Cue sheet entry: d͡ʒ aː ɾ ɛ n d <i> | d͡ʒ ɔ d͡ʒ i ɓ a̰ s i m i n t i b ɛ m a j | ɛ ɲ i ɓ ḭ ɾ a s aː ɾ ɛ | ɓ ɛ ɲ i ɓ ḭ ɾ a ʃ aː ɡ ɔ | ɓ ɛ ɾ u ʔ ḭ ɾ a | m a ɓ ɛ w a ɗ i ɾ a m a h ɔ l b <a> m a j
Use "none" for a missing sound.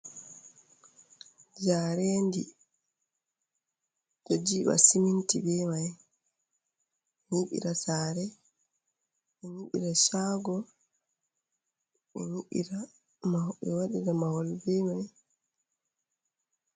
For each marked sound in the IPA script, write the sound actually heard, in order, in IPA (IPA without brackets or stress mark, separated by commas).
i, ɛ